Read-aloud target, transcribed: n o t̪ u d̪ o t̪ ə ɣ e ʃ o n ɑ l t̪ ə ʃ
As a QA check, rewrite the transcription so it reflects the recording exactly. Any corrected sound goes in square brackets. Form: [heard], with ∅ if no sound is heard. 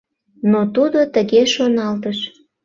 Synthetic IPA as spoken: n o t̪ u d̪ o t̪ ə ɣ e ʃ o n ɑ l t̪ ə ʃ